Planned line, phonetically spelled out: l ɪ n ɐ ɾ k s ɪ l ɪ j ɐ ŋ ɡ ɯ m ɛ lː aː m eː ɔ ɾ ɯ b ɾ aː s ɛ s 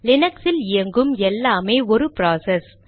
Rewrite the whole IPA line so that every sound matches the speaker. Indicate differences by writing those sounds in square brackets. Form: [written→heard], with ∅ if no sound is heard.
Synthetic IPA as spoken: l ɪ n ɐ [ɾ→∅] k s ɪ l ɪ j ɐ ŋ ɡ ɯ m ɛ lː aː m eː ɔ ɾ ɯ [b→p] ɾ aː s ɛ s